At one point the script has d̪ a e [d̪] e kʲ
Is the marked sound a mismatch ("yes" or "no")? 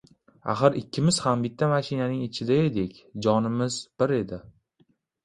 no